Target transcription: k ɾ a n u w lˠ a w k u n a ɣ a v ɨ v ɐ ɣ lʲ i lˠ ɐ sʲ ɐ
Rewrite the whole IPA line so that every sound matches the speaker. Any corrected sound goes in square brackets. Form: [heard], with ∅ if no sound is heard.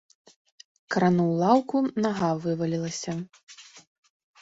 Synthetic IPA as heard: k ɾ a n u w lˠ a w k u n a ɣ a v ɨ v ɐ [∅] lʲ i lˠ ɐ sʲ ɐ